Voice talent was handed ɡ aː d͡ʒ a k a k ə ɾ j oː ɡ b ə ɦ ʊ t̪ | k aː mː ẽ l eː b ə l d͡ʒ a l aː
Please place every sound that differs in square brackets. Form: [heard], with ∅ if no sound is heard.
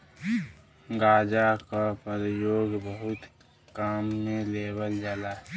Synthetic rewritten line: ɡ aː d͡ʒ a k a [p] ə ɾ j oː ɡ b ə ɦ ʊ t̪ | k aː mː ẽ l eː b ə l d͡ʒ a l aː